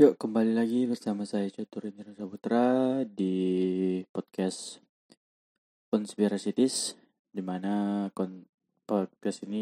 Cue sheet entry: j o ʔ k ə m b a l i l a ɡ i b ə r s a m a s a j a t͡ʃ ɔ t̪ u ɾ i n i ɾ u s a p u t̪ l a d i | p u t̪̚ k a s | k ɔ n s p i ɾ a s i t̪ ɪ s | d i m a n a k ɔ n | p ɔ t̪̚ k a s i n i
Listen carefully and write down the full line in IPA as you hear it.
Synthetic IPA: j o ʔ k ə m b a l i l a ɡ i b ə r s a m a s a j a t͡ʃ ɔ t̪ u ɾ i n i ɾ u s a p u t̪ ɾ a d i | p ɔ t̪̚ k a s | k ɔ n s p i ɾ a s i t̪ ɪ s | d i m a n a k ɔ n | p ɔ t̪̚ k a s i n i